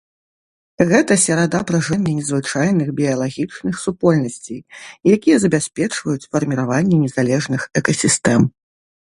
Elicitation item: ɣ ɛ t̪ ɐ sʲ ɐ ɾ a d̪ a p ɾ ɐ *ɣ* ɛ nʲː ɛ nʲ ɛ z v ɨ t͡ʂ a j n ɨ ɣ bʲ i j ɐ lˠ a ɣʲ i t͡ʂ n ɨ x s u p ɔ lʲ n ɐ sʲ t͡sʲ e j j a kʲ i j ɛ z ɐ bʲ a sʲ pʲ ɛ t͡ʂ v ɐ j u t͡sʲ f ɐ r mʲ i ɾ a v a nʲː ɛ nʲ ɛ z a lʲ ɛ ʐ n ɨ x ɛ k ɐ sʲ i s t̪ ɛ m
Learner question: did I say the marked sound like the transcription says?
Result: no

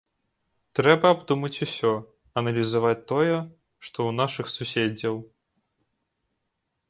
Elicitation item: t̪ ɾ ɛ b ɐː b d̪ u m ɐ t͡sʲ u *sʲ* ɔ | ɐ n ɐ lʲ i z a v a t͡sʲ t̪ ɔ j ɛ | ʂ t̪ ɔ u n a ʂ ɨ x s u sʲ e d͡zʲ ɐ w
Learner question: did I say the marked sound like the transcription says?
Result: yes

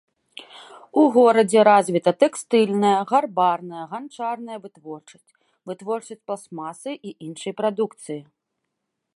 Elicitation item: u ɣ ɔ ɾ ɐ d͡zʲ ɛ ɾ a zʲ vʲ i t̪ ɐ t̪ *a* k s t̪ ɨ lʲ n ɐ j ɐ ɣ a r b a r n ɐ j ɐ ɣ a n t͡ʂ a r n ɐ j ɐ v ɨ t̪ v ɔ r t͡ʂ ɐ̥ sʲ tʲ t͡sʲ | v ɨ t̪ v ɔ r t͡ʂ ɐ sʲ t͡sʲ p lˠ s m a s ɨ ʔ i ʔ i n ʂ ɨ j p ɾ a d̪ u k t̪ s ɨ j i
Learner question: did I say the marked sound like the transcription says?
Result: no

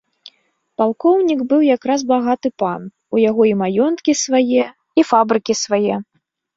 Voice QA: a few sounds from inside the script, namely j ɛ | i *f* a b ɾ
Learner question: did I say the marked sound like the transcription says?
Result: yes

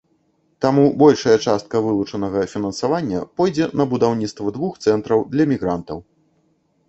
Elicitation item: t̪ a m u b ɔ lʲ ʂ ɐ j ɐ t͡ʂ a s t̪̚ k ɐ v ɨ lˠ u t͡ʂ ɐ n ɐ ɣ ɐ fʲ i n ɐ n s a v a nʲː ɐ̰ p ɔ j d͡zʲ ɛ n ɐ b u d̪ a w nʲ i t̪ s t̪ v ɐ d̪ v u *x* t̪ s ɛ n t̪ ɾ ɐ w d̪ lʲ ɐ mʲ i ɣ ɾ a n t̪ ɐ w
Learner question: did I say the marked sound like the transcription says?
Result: yes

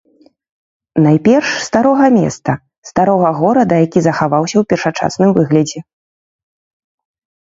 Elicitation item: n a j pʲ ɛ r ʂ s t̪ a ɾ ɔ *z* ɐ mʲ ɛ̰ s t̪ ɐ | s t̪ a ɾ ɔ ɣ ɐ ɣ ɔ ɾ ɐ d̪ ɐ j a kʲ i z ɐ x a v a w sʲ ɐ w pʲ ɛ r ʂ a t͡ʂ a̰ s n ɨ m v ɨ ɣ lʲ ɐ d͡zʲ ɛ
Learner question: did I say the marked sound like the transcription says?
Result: no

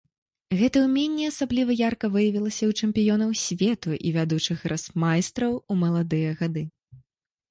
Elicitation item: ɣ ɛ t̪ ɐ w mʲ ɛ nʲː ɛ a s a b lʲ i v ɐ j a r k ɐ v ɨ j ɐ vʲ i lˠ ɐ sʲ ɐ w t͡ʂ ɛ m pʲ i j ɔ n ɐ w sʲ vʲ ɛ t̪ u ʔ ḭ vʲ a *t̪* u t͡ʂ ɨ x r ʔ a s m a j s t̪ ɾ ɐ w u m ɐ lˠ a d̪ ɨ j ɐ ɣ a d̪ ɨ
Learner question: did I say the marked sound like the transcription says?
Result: no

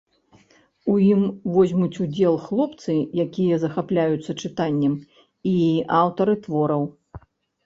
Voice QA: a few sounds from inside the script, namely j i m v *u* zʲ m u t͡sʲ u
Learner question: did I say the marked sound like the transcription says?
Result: no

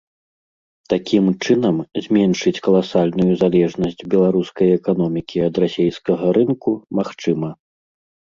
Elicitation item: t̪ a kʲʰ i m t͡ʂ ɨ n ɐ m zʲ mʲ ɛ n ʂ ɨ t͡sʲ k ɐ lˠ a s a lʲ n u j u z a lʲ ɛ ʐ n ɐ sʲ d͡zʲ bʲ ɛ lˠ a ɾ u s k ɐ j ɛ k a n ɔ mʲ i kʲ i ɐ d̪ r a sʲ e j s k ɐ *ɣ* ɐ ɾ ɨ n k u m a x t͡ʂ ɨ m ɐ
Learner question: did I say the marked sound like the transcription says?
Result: yes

